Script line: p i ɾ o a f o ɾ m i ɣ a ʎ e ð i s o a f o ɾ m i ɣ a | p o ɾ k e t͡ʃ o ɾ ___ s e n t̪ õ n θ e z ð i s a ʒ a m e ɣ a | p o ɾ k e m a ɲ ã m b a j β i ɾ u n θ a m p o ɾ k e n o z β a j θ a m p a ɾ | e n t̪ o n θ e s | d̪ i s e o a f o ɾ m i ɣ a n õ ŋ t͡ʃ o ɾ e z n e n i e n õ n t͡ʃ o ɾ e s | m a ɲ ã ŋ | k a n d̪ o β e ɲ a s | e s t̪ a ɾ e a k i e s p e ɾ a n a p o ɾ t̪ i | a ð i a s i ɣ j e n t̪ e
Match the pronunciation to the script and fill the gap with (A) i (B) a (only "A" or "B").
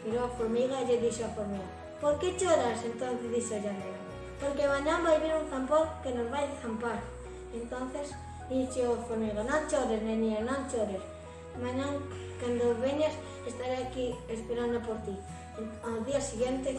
B